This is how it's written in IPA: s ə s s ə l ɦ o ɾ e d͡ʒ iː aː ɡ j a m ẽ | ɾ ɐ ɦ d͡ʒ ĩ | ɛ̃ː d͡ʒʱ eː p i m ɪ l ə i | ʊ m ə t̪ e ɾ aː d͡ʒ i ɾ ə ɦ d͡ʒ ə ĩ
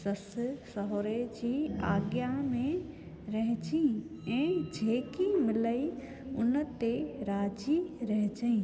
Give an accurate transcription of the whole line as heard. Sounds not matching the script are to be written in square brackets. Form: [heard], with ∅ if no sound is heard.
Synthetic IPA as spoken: s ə s s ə [∅] ɦ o ɾ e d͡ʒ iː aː ɡ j a m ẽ | ɾ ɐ ɦ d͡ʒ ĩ | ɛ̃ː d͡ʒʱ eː [k] i m ɪ l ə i | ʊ [n] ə t̪ e ɾ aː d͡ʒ i ɾ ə ɦ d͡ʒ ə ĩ